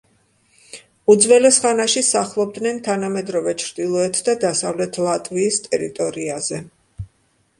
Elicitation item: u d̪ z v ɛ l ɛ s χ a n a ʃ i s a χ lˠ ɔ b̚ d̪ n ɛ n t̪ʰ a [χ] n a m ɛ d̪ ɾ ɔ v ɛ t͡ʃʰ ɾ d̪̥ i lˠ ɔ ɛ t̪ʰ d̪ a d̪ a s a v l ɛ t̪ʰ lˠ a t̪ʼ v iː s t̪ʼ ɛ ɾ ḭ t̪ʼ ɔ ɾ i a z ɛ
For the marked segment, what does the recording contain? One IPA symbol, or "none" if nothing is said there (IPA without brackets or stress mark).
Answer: none